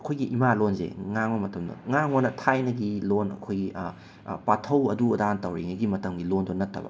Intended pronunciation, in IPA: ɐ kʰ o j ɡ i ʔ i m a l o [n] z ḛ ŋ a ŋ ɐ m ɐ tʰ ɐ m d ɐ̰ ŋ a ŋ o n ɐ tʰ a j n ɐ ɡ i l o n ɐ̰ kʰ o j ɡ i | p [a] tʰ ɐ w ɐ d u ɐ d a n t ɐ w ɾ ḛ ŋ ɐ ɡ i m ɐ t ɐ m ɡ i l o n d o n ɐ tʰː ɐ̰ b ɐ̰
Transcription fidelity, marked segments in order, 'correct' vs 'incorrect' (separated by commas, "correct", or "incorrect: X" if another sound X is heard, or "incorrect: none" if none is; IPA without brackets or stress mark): correct, correct